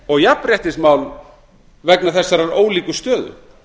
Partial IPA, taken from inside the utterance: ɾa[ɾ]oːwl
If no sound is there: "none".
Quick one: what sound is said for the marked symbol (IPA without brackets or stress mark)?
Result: ɾ